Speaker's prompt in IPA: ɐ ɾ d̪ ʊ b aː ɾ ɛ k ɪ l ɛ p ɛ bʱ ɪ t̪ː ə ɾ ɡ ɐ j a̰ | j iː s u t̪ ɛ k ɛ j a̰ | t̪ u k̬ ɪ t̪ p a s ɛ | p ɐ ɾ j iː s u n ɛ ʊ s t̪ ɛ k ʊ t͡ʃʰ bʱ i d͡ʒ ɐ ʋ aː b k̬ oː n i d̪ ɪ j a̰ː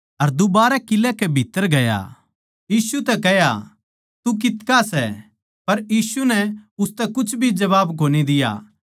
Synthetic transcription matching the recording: ɐ ɾ d̪ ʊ b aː ɾ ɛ k ɪ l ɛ k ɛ bʱ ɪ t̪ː ə ɾ ɡ ɐ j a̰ | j iː s u t̪ ɛ k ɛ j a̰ | t̪ u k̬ ɪ t̪ k a s ɛ | p ɐ ɾ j iː s u n ɛ ʊ s t̪ ɛ k ʊ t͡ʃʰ bʱ i d͡ʒ ɐ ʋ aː b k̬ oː n i d̪ ɪ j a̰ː

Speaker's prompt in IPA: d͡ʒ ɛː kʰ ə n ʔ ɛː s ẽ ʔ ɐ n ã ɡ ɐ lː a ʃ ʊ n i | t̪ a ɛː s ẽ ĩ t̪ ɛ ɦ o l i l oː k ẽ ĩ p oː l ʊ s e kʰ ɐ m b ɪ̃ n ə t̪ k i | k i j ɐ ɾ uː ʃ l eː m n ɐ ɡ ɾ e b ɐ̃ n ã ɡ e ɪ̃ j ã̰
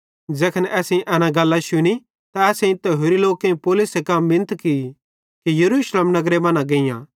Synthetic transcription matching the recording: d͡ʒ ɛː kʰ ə n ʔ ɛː s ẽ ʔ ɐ n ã ɡ ɐ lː a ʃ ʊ n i | t̪ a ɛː s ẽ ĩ t̪ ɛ ɦ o ɾ i l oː k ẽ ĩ p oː l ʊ s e k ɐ m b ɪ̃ n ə t̪ k i | k i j ɐ ɾ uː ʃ l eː m n ɐ ɡ ɾ e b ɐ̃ n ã ɡ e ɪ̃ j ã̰

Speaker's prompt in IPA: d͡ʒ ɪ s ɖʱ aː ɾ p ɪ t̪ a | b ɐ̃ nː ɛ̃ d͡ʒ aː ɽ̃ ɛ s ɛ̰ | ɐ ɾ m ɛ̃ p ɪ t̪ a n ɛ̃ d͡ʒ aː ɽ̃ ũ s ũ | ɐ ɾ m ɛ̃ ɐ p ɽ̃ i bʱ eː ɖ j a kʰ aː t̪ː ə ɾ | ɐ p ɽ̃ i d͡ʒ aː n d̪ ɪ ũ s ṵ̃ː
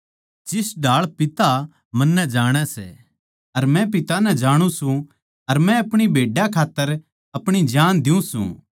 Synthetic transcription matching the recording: d͡ʒ ɪ s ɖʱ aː ɭ p ɪ t̪ a | m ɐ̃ nː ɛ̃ d͡ʒ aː ɽ̃ ɛ s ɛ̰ | ɐ ɾ m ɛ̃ p ɪ t̪ a n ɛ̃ d͡ʒ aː ɽ̃ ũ s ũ | ɐ ɾ m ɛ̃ ɐ p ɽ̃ i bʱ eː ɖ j a kʰ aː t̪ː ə ɾ | ɐ p ɽ̃ i d͡ʒ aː n d̪ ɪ ũ s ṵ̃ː

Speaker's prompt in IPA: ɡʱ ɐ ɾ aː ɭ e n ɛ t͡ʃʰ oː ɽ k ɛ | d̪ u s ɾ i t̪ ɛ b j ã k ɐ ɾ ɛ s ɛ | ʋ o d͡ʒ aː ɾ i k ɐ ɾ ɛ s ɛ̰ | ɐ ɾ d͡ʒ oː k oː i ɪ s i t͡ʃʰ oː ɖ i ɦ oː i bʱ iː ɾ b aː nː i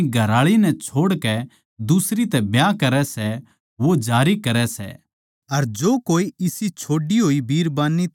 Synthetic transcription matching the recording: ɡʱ ɐ ɾ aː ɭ i n ɛ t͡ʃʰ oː ɽ k ɛ | d̪ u s ɾ i t̪ ɛ b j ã k ɐ ɾ ɛ s ɛ | ʋ o d͡ʒ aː ɾ i k ɐ ɾ ɛ s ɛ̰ | ɐ ɾ d͡ʒ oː k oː i ɪ s i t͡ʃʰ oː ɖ i ɦ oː i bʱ iː ɾ b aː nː i

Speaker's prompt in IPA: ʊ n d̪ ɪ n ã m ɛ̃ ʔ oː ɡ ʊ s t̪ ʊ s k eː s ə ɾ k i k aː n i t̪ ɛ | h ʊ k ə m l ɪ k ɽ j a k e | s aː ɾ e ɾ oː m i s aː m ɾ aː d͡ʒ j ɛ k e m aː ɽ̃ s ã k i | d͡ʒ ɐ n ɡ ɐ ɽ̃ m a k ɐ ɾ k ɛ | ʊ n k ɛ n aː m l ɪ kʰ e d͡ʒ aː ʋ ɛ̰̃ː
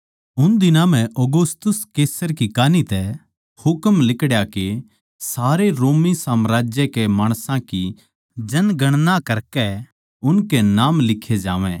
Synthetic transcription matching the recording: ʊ n d̪ ɪ n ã m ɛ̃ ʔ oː ɡ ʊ s t̪ ʊ s k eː s ə ɾ k i k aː n i t̪ ɛ | h ʊ k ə m l ɪ k ɽ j a k e | s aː ɾ e ɾ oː m i s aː m ɾ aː d͡ʒ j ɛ k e m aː ɽ̃ s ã k i | d͡ʒ ɐ n ɡ ɐ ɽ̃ n a k ɐ ɾ k ɛ | ʊ n k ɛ n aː m l ɪ kʰ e d͡ʒ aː ʋ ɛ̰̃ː

